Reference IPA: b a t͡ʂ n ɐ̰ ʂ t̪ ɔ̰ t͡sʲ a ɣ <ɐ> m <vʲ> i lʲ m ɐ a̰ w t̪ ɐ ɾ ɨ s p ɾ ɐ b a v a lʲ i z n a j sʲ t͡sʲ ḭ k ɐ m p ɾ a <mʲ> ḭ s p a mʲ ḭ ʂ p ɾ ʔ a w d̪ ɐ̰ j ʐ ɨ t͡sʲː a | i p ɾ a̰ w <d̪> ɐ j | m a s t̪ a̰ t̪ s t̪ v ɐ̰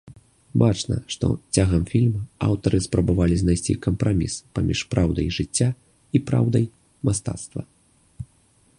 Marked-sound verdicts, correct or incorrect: correct, incorrect, correct, correct

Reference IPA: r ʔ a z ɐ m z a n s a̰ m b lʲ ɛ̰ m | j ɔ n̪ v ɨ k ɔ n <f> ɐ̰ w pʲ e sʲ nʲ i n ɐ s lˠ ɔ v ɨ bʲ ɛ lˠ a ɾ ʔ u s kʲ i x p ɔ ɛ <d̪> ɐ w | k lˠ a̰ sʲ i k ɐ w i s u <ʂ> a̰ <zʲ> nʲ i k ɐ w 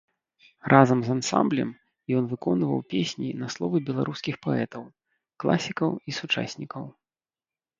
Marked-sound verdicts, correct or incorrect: incorrect, incorrect, incorrect, incorrect

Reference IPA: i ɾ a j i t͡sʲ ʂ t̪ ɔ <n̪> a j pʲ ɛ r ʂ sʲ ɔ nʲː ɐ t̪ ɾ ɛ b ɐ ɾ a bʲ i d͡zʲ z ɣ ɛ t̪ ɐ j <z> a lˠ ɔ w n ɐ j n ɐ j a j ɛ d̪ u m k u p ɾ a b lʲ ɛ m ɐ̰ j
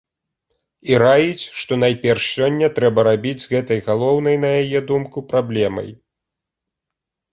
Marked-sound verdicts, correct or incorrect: correct, incorrect

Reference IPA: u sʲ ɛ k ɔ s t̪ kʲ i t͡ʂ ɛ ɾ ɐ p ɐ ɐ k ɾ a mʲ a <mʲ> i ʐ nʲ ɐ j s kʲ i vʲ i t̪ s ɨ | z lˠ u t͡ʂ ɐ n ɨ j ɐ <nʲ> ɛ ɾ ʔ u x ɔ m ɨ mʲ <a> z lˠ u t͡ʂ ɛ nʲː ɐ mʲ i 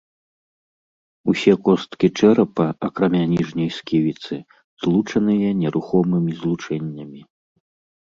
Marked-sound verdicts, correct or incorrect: incorrect, correct, incorrect

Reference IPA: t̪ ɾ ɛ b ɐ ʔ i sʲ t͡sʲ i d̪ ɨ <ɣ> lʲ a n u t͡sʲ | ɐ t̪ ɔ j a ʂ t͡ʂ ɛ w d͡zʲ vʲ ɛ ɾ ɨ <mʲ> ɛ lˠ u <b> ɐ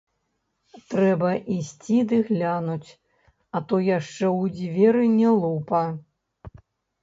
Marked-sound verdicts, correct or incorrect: correct, incorrect, incorrect

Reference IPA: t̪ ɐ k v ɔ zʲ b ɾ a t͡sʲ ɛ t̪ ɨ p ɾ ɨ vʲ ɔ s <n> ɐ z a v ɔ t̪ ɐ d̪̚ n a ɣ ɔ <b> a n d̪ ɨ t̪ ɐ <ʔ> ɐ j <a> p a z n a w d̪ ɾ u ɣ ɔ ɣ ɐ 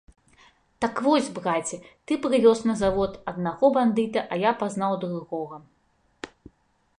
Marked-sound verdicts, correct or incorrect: correct, correct, correct, correct

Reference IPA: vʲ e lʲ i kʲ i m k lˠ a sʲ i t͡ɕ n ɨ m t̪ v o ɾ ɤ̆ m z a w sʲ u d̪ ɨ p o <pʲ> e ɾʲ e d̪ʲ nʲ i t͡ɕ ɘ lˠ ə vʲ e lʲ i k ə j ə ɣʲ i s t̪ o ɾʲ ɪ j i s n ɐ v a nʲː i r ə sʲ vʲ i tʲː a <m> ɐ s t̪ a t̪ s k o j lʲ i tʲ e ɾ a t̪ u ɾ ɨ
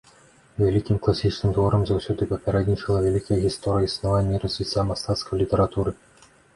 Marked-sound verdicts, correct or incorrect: correct, correct

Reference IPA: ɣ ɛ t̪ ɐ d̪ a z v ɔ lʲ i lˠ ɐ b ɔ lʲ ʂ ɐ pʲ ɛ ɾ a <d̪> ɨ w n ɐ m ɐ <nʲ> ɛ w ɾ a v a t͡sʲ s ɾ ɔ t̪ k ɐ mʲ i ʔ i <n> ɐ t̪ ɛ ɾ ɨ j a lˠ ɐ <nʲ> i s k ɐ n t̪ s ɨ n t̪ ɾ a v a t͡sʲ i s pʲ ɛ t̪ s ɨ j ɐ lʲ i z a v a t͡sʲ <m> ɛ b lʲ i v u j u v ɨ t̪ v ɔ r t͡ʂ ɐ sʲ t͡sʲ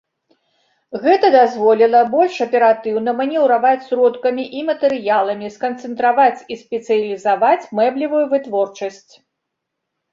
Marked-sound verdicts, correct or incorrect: incorrect, correct, incorrect, incorrect, correct

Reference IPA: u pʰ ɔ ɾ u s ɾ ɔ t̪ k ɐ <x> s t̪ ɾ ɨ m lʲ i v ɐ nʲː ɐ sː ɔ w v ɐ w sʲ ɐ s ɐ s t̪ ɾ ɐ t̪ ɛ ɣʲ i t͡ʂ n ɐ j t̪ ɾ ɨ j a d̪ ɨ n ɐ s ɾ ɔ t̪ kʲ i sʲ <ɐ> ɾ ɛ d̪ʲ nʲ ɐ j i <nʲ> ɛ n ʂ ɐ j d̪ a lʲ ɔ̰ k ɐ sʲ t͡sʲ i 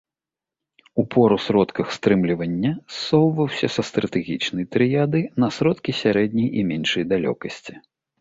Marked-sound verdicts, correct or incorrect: correct, incorrect, incorrect

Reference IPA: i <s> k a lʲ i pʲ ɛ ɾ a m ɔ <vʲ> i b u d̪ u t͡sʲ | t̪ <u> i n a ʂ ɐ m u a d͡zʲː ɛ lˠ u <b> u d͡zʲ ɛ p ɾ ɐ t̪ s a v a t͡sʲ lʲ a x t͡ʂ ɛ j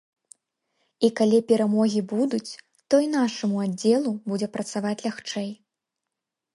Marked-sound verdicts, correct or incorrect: incorrect, incorrect, incorrect, correct

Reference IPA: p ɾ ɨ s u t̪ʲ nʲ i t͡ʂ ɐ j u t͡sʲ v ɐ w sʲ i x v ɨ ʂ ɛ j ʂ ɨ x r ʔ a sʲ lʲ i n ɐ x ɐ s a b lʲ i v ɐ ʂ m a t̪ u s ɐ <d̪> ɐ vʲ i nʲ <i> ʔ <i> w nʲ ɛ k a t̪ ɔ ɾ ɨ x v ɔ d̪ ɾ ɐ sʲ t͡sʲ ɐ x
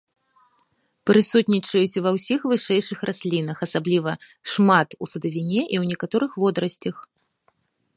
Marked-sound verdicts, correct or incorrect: correct, incorrect, correct

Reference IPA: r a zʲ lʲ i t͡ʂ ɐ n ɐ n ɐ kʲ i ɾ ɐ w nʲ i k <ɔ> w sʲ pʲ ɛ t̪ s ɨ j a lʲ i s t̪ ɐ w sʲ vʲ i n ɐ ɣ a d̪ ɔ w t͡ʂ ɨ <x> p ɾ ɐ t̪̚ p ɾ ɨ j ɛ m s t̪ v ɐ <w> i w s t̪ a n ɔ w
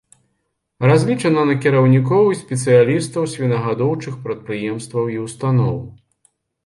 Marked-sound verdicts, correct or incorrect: correct, correct, correct

